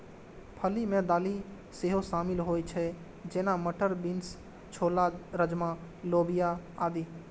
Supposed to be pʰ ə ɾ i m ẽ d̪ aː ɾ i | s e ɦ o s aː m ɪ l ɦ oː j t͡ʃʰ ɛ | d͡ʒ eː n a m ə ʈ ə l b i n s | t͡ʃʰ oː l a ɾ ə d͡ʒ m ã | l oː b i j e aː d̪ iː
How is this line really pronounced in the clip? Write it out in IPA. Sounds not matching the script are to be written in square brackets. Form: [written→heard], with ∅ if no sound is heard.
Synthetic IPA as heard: pʰ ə [ɾ→l] i m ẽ d̪ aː [ɾ→l] i | s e ɦ o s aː m ɪ l ɦ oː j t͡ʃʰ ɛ | d͡ʒ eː n a m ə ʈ ə [l→ɾ] b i n s | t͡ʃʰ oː l a ɾ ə d͡ʒ m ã | l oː b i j [e→a] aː d̪ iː

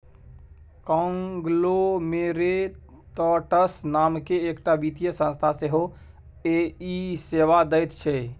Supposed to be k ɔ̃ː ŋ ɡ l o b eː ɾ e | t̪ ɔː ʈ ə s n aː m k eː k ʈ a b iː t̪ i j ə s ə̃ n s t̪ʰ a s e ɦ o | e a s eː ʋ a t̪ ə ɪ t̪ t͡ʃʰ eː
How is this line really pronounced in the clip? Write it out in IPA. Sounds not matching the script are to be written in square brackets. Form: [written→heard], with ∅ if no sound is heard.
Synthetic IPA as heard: k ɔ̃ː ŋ ɡ l o [b→m] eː ɾ e | t̪ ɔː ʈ ə s n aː m k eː k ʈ a b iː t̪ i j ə s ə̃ n s t̪ʰ a s e ɦ o | e [a→i] s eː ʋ a [t̪→d̪] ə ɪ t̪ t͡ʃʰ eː

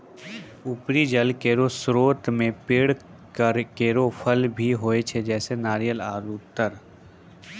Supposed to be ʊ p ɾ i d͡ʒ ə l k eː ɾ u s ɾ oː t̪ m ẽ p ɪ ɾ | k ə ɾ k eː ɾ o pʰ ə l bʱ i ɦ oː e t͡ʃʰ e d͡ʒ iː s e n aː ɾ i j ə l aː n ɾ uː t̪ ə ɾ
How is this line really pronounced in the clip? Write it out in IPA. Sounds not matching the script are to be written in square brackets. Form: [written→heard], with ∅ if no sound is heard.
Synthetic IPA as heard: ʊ p ɾ i d͡ʒ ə l k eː ɾ [u→o] s ɾ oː t̪ m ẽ p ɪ [ɾ→ɽ] | k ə ɾ k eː ɾ o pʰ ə l bʱ i ɦ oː e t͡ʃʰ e d͡ʒ [iː→ɛː] s e n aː ɾ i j ə l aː [n→∅] ɾ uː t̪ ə ɾ

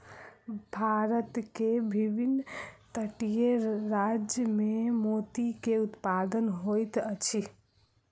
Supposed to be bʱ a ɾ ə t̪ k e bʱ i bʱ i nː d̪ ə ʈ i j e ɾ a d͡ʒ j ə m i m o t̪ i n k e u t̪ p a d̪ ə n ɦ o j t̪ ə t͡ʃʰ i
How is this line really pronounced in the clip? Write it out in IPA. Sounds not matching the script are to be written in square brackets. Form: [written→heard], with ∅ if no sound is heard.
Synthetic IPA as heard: bʱ a ɾ ə t̪ k e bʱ i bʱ i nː [d̪→t̪] ə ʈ i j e ɾ a d͡ʒ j ə m [i→e] m o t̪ i [n→∅] k e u t̪ p a d̪ ə n ɦ o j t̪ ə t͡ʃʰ i

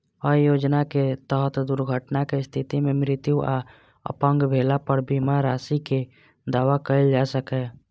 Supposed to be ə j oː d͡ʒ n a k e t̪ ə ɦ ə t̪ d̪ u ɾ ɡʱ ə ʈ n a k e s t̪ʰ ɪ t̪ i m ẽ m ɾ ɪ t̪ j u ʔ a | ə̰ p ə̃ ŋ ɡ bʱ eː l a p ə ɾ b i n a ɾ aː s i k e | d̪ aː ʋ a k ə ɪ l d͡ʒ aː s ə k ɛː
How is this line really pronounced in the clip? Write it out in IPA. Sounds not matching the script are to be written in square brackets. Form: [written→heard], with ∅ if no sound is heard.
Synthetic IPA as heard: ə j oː d͡ʒ n a k e t̪ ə ɦ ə t̪ d̪ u ɾ ɡʱ ə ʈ n a k e s t̪ʰ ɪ t̪ i m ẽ m ɾ ɪ t̪ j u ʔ a | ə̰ p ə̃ ŋ ɡ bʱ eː l a p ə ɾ b i [n→m] a ɾ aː s i k e | d̪ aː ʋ a k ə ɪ l d͡ʒ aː s ə k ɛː

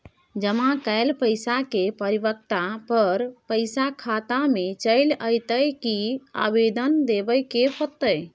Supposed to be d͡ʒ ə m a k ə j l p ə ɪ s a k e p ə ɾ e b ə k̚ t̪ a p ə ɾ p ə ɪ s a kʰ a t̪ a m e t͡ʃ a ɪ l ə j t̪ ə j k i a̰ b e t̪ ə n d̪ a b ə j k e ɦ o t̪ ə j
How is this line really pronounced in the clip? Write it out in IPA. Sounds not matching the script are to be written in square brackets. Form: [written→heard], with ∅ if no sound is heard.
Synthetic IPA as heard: d͡ʒ ə m a k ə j l p ə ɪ s a k e p ə ɾ [e→i] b ə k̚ t̪ a p ə ɾ p ə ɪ s a kʰ a t̪ a m e t͡ʃ [a→ə] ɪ l ə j t̪ ə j k i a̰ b e [t̪→d̪] ə n d̪ [a→e] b ə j k e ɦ o t̪ ə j

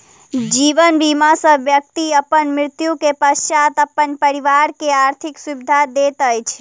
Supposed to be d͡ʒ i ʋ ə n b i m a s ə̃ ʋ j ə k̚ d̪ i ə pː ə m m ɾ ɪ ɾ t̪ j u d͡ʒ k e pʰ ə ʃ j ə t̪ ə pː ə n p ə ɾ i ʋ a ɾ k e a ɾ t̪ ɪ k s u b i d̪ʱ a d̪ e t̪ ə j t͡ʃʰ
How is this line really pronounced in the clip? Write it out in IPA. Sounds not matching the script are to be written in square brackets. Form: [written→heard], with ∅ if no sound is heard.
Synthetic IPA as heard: d͡ʒ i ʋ ə n b i m a s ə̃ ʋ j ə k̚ [d̪→t̪] i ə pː ə [m→n] m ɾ ɪ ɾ t̪ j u [d͡ʒ→∅] k e [pʰ→p] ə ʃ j [ə→a] t̪ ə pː ə n p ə ɾ i ʋ a ɾ k e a ɾ [t̪→t̪ʰ] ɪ k s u b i d̪ʱ a d̪ e t̪ ə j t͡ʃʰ

